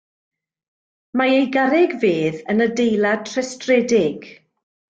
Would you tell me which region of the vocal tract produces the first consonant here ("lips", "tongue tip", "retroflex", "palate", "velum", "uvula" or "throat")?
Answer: lips